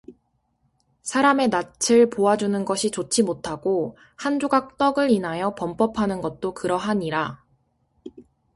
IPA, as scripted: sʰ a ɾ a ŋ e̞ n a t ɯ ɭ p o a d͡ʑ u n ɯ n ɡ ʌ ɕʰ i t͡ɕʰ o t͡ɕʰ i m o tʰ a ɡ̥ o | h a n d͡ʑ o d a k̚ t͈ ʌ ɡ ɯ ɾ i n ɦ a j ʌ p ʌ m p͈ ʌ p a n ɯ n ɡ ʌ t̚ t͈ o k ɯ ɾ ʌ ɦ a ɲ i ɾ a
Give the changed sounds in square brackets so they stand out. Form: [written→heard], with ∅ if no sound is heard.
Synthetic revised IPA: sʰ a ɾ a [ŋ→m] e̞ n a [t→t͡ɕʰ] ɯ ɭ p o a d͡ʑ u n ɯ n ɡ ʌ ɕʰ i [t͡ɕʰ→t͡ɕ] o t͡ɕʰ i m o tʰ a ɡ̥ o | h a n d͡ʑ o [d→ɡ] a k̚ t͈ ʌ ɡ ɯ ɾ i n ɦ a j ʌ p ʌ m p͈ ʌ [p→pʰ] a n ɯ n ɡ ʌ t̚ t͈ o k ɯ ɾ ʌ ɦ a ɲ i ɾ a